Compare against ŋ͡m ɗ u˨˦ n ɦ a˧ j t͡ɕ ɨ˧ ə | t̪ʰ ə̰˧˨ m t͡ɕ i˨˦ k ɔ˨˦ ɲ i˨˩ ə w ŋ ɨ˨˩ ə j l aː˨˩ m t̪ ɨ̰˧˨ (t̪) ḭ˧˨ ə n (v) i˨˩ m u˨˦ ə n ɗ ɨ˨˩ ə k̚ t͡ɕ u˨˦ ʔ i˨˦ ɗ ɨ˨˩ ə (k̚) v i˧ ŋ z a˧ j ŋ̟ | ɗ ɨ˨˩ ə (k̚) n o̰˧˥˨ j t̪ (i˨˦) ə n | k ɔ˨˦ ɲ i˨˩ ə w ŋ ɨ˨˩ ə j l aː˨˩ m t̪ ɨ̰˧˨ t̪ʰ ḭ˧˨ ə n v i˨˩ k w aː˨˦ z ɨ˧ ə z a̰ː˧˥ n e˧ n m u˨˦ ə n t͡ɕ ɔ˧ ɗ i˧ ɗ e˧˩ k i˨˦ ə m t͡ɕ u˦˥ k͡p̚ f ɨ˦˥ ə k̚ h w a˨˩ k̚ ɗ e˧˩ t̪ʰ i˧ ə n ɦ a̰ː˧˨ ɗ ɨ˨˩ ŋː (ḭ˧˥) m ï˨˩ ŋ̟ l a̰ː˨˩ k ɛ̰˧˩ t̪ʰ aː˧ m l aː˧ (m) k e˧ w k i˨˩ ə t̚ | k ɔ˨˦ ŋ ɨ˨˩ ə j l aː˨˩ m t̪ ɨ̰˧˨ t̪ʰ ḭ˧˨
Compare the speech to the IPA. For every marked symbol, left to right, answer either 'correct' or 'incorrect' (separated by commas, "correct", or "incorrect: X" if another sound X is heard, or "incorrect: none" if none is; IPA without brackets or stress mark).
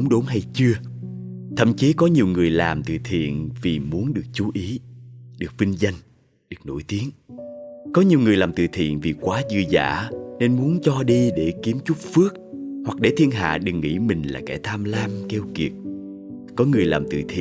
incorrect: t̪ʰ, correct, correct, correct, correct, correct, correct